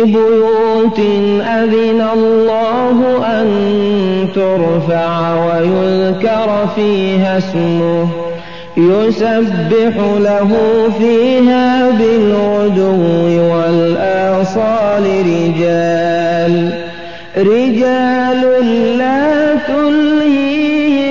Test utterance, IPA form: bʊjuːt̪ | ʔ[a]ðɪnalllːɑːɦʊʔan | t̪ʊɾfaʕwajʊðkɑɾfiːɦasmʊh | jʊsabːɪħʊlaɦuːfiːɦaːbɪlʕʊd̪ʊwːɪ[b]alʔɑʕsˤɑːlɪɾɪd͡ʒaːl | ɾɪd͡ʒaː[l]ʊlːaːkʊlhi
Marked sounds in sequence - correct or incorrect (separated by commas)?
correct, incorrect, correct